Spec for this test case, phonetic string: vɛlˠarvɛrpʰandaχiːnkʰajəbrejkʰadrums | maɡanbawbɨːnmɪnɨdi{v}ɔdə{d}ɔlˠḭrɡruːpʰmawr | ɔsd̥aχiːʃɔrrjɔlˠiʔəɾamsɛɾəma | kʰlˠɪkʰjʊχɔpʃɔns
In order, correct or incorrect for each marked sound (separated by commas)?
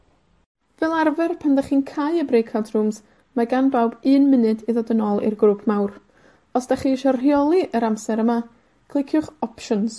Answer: incorrect, incorrect